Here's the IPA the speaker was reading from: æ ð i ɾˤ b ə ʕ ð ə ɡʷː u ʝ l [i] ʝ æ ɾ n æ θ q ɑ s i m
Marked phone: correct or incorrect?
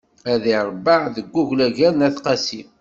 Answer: incorrect